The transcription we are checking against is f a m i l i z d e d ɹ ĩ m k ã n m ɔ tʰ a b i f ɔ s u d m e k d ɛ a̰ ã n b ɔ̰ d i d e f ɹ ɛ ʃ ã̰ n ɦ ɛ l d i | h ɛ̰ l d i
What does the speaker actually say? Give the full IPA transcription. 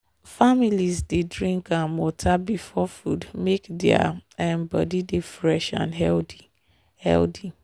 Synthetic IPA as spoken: f a m i l i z d e d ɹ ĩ ŋ k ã n m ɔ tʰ a b i f ɔ f u d m e k d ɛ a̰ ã n b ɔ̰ d i d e f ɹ ɛ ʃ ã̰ n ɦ ɛ l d i | h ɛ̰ l d i

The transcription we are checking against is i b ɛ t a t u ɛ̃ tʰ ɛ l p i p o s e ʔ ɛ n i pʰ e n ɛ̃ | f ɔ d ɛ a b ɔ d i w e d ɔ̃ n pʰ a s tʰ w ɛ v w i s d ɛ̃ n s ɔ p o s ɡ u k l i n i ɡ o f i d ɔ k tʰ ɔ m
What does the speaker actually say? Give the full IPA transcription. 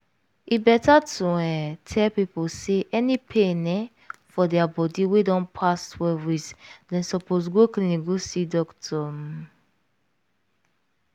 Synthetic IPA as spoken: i b ɛ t a t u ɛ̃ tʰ ɛ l p i p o s e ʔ ɛ n i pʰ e n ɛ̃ | f ɔ d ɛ a b ɔ d i w e d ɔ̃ n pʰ a s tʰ w ɛ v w i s d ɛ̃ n s ɔ p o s ɡ o k l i n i ɡ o s i d ɔ k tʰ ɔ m

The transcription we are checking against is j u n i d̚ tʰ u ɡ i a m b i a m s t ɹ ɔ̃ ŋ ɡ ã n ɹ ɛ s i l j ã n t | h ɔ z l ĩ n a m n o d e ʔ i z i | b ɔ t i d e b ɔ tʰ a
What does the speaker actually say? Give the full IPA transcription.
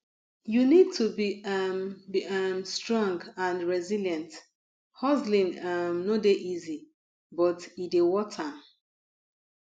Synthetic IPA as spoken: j u n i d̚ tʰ u b i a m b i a m s t ɹ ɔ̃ ŋ ɡ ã n ɹ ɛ z i l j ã n t | h ɔ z l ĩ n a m n o d e ʔ i z i | b ɔ t i d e w ɔ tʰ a

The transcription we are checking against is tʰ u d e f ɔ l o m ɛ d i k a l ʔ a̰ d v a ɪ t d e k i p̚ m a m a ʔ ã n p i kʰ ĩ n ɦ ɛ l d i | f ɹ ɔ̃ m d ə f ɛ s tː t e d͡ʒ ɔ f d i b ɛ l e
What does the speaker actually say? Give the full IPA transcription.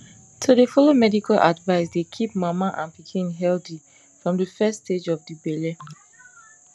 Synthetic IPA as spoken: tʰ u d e f ɔ l o m ɛ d i k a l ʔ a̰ d v a ɪ s d e kʰ i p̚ m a m a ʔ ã n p i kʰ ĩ n ɦ ɛ l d i | f ɹ ɔ̃ m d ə f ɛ s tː t e d͡ʒ ɔ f d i b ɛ l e

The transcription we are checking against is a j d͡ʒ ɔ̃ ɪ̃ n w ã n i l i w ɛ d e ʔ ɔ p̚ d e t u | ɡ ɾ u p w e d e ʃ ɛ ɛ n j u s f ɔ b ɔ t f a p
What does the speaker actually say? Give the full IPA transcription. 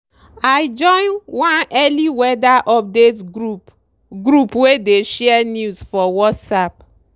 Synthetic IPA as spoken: a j d͡ʒ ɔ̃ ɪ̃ n w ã n ɛ l i w ɛ d a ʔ ɔ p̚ d e t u | ɡ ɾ u p w e d e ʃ ɛ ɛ n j u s f ɔ w ɔ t s a p

